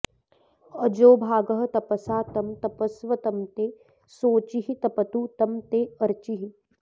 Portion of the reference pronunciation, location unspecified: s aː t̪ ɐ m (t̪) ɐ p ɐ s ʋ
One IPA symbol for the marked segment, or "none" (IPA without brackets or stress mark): t̪